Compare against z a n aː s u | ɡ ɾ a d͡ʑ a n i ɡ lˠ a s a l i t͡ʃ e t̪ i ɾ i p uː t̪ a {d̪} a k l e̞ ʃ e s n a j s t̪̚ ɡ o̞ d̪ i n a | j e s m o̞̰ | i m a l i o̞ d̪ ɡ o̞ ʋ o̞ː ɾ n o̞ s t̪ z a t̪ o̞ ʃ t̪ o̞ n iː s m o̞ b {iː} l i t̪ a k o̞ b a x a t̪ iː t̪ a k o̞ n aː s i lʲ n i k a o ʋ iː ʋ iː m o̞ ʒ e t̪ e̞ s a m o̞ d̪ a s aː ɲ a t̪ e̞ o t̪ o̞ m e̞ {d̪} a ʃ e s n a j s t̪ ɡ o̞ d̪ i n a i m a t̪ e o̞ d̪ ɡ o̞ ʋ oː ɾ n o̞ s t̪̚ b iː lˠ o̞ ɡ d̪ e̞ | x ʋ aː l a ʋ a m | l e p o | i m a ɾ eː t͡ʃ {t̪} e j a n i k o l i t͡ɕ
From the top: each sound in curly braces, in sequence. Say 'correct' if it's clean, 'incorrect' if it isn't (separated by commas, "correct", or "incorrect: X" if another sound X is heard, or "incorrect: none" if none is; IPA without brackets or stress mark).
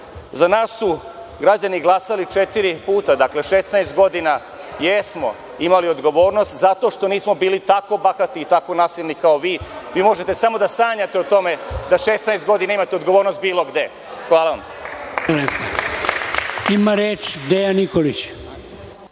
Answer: correct, correct, correct, incorrect: d̪